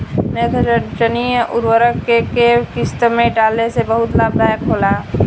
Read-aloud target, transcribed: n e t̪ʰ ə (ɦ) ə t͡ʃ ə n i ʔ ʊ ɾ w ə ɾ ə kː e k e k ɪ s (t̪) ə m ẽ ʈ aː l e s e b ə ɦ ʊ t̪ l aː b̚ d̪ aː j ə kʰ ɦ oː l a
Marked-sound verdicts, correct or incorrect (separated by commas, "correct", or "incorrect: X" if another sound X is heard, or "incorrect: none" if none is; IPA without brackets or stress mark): incorrect: none, correct